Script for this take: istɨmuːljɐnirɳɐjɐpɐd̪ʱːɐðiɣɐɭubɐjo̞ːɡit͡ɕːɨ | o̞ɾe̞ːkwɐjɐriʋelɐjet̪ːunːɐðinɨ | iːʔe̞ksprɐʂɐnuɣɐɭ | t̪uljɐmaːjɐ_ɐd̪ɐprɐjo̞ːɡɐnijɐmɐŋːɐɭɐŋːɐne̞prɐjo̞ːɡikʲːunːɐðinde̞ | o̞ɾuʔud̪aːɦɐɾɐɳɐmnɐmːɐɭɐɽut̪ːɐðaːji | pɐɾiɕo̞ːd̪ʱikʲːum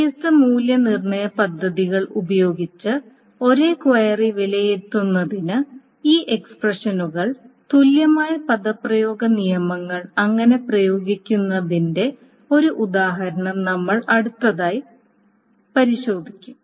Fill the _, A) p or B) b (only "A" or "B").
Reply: A